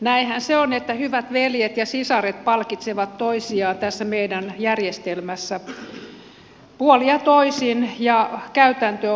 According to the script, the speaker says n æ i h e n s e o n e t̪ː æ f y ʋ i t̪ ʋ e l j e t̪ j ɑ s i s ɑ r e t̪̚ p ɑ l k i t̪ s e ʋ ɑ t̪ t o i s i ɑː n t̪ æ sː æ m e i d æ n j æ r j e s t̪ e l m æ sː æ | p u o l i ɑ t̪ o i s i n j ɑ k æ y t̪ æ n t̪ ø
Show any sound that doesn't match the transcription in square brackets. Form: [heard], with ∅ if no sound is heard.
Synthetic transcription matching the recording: n æ i h [æ] n s e o n e t̪ː æ [h] y ʋ [æ] t̪ ʋ e l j e t̪ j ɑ s i s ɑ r e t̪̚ p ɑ l k i t̪ s e ʋ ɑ t̪ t o i s i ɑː n t̪ æ sː æ m e i d æ n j æ r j e s t̪ e l m æ sː æ | p u o l i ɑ t̪ o i s i n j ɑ k æ y t̪ æ n t̪ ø